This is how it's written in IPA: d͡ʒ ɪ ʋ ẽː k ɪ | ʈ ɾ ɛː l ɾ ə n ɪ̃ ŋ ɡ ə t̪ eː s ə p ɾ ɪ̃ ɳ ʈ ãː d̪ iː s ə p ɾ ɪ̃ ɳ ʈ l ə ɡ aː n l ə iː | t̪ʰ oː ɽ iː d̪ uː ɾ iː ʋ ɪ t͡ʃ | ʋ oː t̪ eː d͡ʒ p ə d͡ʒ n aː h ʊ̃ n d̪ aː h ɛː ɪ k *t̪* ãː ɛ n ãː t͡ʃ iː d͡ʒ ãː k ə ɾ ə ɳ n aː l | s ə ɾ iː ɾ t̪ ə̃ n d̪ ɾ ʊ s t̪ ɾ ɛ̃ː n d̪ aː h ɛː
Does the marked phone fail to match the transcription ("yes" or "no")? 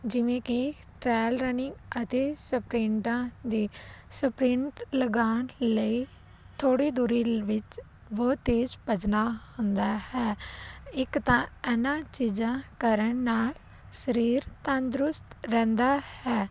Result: no